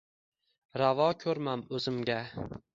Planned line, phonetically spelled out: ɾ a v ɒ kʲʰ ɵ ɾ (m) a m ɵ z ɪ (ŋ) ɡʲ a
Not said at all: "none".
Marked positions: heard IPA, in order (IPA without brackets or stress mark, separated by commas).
m, m